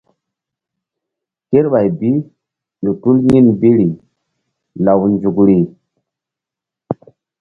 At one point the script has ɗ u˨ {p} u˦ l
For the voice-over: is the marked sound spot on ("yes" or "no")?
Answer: no